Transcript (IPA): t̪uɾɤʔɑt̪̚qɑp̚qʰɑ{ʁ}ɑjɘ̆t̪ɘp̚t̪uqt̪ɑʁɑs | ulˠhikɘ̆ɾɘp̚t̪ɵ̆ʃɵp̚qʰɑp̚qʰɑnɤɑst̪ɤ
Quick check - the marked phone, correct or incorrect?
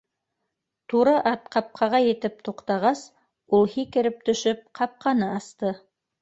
correct